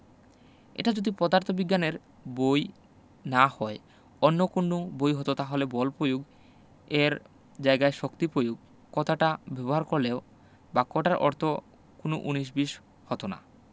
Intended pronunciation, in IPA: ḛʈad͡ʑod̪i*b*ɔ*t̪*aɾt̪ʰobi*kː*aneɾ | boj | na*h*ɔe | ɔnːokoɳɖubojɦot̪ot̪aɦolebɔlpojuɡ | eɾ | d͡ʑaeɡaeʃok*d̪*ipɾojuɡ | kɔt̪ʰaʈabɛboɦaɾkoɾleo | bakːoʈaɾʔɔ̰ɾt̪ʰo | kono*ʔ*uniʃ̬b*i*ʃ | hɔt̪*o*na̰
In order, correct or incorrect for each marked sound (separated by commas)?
incorrect, incorrect, incorrect, correct, incorrect, correct, correct, correct